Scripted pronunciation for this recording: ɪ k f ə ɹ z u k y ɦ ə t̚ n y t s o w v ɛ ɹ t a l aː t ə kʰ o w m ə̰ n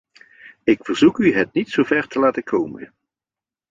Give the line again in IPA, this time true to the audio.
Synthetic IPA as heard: ɪ k f ə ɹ z u k y ɦ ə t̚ n i t s o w v ɛ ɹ t ə l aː t ə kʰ o w m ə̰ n